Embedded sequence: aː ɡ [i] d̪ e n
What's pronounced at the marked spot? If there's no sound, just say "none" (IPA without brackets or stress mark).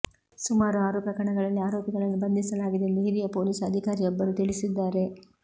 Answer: i